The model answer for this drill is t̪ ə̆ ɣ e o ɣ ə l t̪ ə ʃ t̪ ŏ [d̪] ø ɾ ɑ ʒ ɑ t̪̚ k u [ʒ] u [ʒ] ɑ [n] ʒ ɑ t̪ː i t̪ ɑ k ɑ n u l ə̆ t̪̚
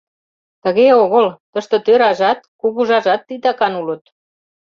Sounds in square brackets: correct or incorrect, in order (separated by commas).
incorrect, incorrect, correct, incorrect